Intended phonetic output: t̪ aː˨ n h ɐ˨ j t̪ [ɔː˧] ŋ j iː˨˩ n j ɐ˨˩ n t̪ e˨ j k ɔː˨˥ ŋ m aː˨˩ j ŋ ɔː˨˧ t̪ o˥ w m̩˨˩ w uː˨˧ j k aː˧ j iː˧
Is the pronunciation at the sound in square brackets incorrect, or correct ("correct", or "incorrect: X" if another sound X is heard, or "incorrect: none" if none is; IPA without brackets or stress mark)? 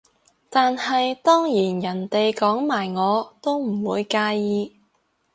incorrect: ɔː˥